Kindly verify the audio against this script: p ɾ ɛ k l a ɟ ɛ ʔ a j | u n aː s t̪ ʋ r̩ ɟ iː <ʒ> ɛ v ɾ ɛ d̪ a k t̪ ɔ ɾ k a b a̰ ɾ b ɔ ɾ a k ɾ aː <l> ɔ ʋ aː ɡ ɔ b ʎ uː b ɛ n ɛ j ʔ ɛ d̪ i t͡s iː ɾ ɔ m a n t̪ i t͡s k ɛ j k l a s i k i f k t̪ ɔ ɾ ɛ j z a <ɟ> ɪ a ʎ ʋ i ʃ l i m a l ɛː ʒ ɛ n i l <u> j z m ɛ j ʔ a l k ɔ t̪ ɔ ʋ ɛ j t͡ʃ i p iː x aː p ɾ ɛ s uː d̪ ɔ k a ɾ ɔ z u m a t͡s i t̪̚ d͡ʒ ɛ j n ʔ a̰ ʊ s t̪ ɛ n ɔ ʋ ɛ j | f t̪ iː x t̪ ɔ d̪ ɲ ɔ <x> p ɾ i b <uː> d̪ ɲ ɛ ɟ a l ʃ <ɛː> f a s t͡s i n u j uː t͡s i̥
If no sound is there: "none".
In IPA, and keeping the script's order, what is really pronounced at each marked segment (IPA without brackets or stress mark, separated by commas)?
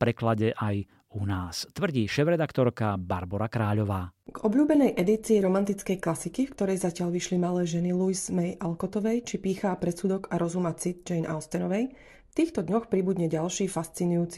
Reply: ʃ, ʎ, c, u, x, u, iː